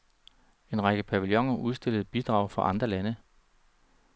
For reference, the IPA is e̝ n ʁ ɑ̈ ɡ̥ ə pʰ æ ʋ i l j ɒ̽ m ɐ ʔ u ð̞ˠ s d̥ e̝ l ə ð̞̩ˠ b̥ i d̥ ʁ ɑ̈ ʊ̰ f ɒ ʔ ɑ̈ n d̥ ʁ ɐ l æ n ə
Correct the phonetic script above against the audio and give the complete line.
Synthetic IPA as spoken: e̝ n ʁ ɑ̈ ɡ̥ ə pʰ æ ʋ i l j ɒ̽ ŋ ɐ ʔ u ð̞ˠ s d̥ e̝ l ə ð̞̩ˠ b̥ i d̥ ʁ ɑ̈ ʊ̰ f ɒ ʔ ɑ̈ n d̥ ʁ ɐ l æ n ə